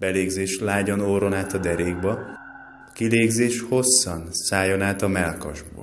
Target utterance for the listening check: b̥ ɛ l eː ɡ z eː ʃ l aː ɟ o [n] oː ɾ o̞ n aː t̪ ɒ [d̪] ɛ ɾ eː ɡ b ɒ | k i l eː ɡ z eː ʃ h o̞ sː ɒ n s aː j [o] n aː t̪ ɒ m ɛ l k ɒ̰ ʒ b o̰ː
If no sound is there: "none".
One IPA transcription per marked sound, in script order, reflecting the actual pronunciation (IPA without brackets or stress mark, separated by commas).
n, d̪, o